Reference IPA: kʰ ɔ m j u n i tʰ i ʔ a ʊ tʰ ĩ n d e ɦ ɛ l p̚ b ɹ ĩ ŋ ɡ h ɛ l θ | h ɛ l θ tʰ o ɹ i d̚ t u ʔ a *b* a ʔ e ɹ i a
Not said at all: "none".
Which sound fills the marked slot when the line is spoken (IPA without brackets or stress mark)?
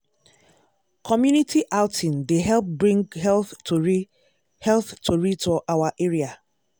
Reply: w